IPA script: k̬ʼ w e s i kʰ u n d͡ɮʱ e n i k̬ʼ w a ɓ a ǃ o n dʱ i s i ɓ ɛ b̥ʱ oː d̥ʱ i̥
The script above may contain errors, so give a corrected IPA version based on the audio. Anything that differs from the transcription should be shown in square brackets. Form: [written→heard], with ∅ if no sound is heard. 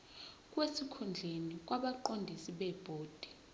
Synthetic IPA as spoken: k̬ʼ w e s i kʰ u n d͡ɮʱ e n i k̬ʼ w a ɓ a ǃ o n dʱ i s i ɓ ɛ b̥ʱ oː d̥ʱ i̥